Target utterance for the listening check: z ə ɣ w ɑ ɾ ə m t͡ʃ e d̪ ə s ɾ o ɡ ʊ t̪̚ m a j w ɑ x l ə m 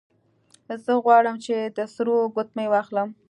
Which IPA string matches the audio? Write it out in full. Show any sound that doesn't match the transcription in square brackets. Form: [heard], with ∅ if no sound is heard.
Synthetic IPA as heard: z ə ɣ w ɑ [ɽ] ə m t͡ʃ e d̪ ə s ɾ o ɡ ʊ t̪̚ m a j w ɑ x l ə m